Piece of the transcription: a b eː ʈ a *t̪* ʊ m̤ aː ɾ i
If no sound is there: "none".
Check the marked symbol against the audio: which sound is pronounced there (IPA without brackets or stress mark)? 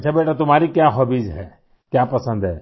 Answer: t̪